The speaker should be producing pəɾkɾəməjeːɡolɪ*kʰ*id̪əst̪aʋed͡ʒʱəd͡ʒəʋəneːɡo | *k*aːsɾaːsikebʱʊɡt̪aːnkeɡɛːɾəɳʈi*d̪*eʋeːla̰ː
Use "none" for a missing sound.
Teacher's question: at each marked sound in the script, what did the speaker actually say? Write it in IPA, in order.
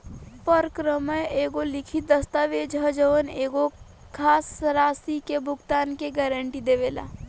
kʰ, kʰ, d̪

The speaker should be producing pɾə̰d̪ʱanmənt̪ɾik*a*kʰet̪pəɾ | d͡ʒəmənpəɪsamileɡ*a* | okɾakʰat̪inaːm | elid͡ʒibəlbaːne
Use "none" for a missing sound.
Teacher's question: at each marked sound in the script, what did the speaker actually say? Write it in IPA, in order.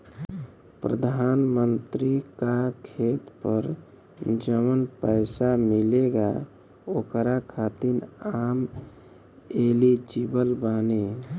a, a

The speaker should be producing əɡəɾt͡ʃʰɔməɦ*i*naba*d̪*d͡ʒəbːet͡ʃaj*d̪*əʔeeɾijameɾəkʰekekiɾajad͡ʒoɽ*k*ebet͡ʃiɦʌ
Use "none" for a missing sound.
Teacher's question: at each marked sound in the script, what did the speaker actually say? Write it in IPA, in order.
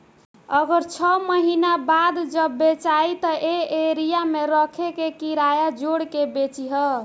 i, d̪, t̪, k

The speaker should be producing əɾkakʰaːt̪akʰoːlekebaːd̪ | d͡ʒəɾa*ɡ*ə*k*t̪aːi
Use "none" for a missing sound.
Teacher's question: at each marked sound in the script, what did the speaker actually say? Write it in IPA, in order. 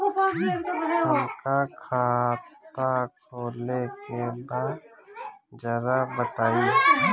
b, none

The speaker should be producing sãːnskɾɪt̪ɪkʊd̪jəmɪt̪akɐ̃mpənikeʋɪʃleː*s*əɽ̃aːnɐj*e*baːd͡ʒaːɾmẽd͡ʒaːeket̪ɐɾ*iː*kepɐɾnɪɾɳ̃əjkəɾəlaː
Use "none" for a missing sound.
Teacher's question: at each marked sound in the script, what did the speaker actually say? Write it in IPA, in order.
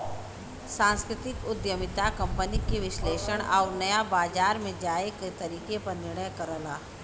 ʃ, a, iː

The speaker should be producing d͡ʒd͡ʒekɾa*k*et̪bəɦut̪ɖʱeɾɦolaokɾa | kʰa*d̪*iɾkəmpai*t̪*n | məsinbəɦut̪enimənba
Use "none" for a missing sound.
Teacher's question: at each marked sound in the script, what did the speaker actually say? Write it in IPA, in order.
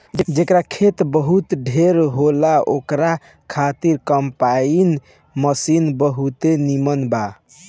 kʰ, t̪, none

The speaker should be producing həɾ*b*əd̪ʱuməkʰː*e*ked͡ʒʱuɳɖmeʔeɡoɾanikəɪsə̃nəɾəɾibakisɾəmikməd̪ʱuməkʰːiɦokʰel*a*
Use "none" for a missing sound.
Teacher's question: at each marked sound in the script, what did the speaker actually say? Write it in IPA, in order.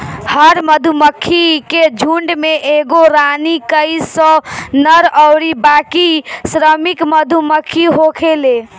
m, i, e

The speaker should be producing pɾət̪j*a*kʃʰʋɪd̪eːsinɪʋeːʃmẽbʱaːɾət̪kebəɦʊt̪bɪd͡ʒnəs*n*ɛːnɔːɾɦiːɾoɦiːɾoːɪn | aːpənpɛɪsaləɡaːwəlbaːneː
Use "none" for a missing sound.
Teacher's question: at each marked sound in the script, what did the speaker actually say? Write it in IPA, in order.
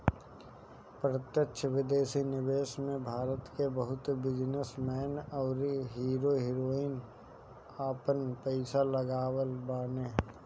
ə, m

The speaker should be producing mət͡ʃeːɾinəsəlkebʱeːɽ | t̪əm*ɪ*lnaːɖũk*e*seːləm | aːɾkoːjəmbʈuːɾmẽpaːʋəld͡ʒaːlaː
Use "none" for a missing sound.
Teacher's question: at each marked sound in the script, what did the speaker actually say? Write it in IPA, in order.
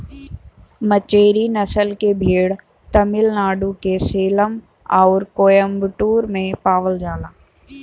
ɪ, e

